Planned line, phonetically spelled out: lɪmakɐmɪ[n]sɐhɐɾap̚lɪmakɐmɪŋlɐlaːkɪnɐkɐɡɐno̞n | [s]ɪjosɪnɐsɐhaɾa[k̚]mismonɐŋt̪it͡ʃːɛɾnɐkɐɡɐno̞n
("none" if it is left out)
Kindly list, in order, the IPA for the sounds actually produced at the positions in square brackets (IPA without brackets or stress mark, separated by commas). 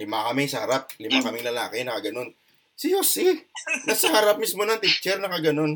ŋ, s, p̚